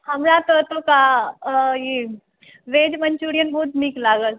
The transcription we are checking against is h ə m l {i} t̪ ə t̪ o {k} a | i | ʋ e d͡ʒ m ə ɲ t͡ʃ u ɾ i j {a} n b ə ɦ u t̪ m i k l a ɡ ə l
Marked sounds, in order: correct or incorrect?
incorrect, correct, incorrect

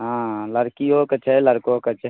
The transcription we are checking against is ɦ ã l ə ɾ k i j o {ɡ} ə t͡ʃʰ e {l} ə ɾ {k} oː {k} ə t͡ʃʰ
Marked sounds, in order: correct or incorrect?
incorrect, correct, correct, correct

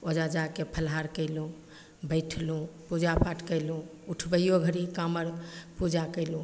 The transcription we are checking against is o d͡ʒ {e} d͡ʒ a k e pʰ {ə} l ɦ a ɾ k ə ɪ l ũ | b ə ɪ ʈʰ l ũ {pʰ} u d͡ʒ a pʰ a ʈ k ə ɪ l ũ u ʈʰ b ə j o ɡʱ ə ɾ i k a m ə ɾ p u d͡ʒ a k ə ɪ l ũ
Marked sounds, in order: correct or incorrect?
incorrect, correct, incorrect

